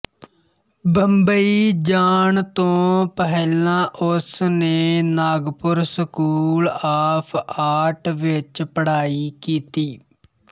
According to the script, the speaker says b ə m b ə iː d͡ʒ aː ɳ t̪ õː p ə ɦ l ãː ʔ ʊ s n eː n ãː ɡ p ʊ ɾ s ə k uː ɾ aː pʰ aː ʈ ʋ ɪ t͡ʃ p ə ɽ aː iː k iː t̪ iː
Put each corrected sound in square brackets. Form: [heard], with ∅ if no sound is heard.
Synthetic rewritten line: b ə m b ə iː d͡ʒ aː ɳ t̪ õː p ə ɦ l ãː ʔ ʊ s n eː n [aː] ɡ p ʊ ɾ s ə k uː [l] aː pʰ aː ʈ ʋ ɪ t͡ʃ p ə ɽ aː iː k iː t̪ iː

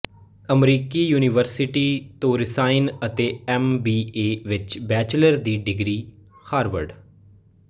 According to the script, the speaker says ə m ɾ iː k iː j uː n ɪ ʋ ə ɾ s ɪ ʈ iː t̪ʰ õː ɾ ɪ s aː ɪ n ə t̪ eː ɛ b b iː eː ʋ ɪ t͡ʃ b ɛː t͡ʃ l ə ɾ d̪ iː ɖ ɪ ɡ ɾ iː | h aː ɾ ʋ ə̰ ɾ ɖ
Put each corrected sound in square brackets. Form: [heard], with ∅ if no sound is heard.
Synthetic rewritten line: ə m ɾ iː k iː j uː n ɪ ʋ ə ɾ s ɪ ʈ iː [t̪] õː ɾ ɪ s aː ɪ n ə t̪ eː ɛ [m] b iː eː ʋ ɪ t͡ʃ b ɛː t͡ʃ l ə ɾ d̪ iː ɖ ɪ ɡ ɾ iː | h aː ɾ ʋ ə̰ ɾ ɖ

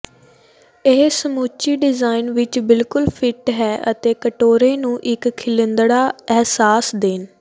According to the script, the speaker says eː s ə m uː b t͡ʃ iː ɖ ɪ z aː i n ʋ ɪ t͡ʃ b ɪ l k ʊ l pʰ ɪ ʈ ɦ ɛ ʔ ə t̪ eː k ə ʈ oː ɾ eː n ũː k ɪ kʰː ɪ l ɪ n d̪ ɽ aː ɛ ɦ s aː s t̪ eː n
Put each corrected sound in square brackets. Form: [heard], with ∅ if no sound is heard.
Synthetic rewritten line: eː s ə m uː [∅] t͡ʃ iː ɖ ɪ z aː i n ʋ ɪ t͡ʃ b ɪ l k ʊ l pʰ ɪ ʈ ɦ [ɛː] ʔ ə t̪ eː k ə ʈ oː ɾ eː n ũː [ʔ] ɪ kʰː ɪ l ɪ n d̪ ɽ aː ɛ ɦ s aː s [d̪] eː n

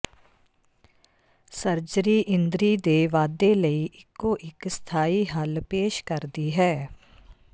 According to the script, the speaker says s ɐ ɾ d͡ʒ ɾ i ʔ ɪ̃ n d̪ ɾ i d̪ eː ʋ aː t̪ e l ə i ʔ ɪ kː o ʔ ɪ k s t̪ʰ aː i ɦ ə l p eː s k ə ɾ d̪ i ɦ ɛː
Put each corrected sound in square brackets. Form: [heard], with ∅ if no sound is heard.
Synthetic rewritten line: s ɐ ɾ d͡ʒ ɾ i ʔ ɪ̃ n d̪ ɾ i d̪ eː ʋ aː [d̪] e l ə i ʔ ɪ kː o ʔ ɪ k s t̪ʰ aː i ɦ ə l p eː [ʃ] k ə ɾ d̪ i ɦ ɛː

